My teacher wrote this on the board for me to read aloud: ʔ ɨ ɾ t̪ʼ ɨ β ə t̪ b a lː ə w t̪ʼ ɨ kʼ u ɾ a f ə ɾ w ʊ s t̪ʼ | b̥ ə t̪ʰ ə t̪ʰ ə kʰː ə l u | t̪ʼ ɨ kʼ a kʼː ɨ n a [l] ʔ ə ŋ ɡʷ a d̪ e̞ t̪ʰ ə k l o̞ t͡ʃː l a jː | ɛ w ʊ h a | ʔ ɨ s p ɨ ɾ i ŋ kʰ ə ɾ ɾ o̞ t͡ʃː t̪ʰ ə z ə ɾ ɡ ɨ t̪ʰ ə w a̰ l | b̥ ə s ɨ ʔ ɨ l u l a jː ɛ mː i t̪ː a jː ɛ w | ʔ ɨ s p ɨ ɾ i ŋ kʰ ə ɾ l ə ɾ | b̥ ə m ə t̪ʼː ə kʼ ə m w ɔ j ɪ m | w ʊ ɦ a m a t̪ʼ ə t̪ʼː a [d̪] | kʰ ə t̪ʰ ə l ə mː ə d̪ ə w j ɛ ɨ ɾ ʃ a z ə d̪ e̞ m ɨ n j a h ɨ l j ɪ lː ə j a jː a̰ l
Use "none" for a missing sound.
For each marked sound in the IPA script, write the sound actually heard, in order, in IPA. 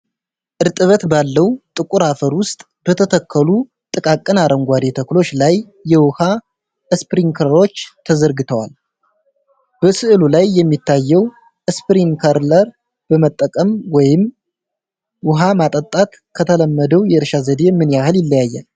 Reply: ɾ, t̪

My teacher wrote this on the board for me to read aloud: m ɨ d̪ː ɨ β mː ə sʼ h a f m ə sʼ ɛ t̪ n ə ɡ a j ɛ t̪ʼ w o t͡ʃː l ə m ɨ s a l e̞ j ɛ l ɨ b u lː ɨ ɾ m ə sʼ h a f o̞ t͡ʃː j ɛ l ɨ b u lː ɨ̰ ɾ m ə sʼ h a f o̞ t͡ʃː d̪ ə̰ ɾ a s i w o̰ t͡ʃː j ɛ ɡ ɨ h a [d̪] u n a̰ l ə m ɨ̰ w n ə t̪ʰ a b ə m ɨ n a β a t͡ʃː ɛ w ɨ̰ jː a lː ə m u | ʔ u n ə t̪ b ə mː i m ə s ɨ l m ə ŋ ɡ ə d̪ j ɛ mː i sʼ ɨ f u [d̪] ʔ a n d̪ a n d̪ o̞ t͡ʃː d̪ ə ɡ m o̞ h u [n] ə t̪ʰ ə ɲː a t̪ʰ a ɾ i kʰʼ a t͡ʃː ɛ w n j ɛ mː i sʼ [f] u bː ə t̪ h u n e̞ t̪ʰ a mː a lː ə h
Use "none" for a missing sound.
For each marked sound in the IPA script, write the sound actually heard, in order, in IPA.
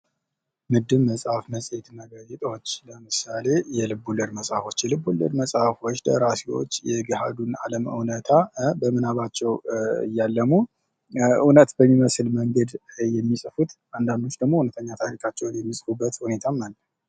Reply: d̪, t̪, n, f

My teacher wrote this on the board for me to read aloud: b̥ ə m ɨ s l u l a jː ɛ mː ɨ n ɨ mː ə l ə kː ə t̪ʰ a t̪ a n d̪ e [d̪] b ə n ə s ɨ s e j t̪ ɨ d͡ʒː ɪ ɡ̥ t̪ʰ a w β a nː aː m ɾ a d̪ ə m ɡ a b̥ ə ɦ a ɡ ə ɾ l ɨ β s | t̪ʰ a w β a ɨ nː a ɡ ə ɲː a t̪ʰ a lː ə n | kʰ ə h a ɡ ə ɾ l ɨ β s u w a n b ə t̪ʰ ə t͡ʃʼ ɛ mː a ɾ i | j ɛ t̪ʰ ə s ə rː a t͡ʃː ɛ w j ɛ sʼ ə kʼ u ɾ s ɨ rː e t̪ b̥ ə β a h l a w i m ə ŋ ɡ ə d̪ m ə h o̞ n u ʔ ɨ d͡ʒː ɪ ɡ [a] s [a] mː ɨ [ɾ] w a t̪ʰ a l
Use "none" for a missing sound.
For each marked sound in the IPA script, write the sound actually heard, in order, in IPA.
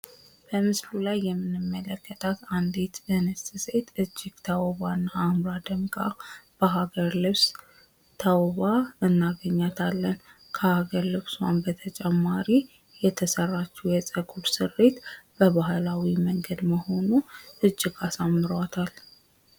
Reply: t̪, a, a, ɾ

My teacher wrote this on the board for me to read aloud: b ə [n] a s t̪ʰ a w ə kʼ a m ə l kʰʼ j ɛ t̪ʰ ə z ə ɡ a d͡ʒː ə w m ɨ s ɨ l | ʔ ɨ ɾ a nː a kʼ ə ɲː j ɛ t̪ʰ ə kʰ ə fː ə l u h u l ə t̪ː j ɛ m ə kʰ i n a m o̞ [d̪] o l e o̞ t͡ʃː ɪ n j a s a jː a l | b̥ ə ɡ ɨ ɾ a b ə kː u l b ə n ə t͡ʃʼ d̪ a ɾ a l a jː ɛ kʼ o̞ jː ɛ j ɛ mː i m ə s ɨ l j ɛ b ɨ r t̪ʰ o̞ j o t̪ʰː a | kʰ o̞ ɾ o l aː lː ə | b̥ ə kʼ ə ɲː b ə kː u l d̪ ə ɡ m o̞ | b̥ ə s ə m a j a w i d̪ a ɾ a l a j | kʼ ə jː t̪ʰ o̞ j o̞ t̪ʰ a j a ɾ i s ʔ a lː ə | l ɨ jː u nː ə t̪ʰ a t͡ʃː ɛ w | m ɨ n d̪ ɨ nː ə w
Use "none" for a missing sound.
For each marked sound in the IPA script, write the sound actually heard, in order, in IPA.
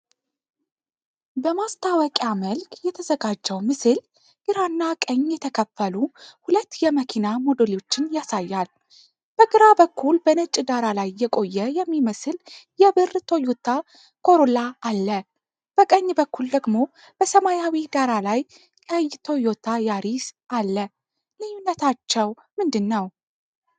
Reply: m, d̪

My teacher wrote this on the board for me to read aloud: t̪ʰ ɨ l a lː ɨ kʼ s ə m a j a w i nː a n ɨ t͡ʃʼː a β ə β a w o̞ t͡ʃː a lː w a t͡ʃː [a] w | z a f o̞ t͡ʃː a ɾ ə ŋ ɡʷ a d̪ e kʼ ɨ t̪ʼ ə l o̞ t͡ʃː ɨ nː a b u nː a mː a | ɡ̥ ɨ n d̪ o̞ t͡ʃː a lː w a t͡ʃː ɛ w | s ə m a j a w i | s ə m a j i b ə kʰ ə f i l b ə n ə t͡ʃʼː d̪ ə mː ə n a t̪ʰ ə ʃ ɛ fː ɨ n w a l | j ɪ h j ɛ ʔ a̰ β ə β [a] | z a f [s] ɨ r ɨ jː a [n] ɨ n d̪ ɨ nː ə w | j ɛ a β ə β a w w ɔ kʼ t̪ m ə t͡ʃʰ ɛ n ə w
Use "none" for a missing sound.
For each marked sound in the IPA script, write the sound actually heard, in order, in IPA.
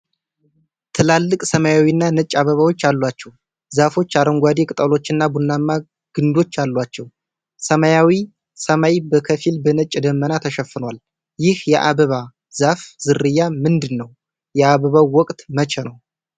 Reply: ɛ, a, z, m

